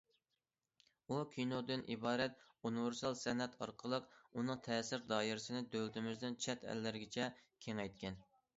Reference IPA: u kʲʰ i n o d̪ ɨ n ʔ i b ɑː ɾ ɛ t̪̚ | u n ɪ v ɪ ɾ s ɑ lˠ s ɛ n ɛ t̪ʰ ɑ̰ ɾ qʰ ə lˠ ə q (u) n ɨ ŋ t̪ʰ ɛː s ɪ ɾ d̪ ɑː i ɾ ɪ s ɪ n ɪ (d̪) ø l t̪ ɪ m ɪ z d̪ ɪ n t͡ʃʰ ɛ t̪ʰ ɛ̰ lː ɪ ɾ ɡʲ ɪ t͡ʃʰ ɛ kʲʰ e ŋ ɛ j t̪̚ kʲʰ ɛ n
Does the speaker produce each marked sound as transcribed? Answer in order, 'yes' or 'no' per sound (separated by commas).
yes, yes